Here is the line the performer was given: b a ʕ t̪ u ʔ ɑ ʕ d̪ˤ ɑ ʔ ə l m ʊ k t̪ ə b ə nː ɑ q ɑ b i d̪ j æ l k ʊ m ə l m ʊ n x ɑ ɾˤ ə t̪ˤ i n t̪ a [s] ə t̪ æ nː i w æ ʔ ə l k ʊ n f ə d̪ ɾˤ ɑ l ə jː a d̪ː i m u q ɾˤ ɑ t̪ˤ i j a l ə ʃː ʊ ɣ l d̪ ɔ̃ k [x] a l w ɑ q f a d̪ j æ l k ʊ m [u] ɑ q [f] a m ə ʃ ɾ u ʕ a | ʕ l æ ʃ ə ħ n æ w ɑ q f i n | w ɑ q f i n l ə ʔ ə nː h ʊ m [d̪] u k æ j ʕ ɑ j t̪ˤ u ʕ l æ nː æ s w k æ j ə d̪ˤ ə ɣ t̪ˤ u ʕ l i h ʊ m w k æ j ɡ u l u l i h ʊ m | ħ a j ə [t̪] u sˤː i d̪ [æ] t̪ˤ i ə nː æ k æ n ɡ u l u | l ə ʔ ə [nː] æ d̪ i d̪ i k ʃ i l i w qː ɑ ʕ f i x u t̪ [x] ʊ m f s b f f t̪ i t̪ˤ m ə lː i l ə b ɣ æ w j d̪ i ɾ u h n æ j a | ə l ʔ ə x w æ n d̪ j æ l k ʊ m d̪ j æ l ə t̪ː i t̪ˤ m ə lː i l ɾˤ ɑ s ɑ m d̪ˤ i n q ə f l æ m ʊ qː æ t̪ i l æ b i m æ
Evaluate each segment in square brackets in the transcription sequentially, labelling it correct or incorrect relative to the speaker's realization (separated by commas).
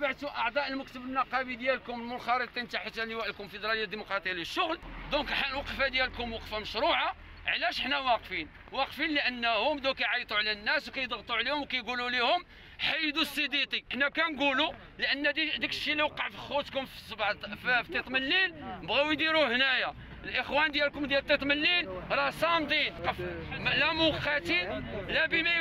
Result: incorrect, incorrect, incorrect, correct, correct, incorrect, incorrect, correct, incorrect